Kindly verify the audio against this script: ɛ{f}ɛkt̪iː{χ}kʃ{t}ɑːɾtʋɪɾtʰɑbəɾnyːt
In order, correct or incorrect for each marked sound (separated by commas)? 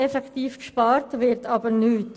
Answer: correct, incorrect, incorrect